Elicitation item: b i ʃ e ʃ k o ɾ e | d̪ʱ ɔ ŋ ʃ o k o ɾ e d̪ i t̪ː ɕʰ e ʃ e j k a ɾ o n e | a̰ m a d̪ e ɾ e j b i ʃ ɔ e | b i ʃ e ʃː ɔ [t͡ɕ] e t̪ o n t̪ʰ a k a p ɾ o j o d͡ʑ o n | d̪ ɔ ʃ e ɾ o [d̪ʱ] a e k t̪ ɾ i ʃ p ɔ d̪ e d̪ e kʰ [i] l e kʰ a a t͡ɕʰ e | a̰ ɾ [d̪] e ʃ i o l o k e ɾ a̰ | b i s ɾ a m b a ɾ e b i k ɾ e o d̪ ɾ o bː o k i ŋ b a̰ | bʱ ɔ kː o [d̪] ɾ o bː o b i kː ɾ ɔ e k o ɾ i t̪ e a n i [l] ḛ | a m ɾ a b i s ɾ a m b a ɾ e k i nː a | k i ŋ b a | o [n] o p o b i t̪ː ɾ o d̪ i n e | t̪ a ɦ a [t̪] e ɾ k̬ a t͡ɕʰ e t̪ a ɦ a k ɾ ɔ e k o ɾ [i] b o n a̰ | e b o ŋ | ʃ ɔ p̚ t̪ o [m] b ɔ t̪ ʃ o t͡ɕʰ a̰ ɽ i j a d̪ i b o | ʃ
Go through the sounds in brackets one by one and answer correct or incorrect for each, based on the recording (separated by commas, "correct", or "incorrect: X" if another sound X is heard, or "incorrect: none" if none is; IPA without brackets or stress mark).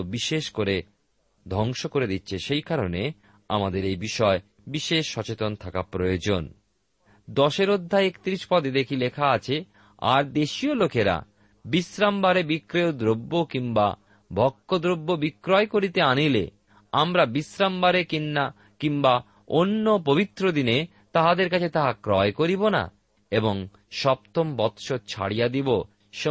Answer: correct, incorrect: d̪ʱː, correct, correct, correct, correct, incorrect: nː, incorrect: d̪, correct, correct